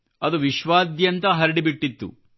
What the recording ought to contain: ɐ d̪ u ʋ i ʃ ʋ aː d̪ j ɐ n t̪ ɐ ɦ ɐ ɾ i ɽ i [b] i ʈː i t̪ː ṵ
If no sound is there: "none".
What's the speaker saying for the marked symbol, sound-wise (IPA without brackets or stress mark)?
b